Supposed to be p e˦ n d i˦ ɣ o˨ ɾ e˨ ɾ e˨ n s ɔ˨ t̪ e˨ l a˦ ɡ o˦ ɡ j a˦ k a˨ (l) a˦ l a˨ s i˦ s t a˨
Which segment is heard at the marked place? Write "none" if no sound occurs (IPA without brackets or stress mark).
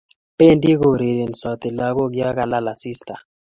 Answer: l